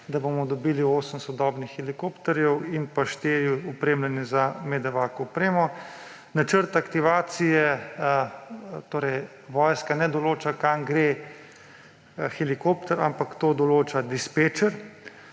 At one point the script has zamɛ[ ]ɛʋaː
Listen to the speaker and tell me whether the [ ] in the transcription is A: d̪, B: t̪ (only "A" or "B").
A